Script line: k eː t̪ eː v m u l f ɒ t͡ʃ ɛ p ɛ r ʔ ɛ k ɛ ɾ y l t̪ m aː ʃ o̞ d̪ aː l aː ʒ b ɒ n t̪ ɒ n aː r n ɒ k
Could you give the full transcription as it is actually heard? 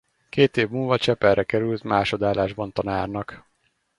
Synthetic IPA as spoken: k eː t̪ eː v m u l v ɒ t͡ʃ ɛ p ɛ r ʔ ɛ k ɛ ɾ y l t̪ m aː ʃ o̞ d̪ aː l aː ʒ b ɒ n t̪ ɒ n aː r n ɒ k